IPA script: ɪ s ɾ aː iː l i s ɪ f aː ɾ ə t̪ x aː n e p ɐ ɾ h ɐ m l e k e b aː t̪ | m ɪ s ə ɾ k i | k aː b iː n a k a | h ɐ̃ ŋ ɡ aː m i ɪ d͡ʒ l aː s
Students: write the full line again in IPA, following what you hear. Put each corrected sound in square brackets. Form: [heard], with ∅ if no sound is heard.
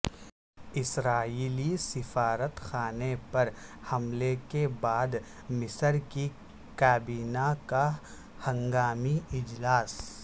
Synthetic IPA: ɪ s ɾ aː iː l i s ɪ f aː ɾ ə t̪ x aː n e p ɐ ɾ h ɐ m l e k e b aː [d̪] | m ɪ s ə ɾ k i | k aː b iː n a k a | h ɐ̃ ŋ ɡ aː m i ɪ d͡ʒ l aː s